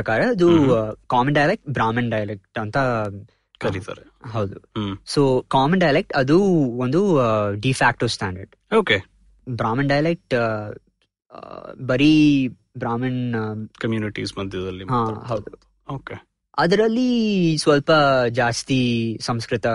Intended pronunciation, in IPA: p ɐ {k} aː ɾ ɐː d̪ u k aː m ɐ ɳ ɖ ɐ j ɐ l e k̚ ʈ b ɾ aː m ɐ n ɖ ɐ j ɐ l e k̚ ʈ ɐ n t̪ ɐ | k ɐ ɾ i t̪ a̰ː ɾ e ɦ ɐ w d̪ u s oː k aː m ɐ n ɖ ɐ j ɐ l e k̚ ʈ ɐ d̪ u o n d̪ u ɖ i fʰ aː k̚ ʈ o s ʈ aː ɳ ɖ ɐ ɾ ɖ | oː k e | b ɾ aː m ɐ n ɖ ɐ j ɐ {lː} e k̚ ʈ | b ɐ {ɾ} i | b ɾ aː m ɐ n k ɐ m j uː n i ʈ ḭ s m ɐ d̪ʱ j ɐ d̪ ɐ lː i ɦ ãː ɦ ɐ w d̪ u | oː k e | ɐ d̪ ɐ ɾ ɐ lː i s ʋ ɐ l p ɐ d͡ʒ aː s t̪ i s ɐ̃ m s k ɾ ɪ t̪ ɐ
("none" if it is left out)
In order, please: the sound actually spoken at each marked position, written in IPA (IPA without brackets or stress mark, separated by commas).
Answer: k, l, ɾ